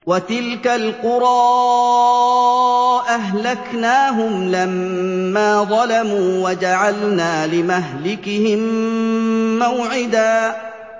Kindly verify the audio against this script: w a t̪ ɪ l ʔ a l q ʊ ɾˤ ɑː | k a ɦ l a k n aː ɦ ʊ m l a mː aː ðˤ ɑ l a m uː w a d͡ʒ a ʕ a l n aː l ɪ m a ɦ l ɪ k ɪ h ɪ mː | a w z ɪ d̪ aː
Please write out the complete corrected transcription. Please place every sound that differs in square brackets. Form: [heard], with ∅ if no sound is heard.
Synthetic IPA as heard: w a t̪ ɪ l [k] a l q ʊ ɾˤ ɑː | [ʔ] a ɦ l a k n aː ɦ ʊ m l a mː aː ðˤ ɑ l a m uː w a d͡ʒ a ʕ a l n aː l ɪ m a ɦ l ɪ k ɪ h ɪ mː | a w [ʕ] ɪ d̪ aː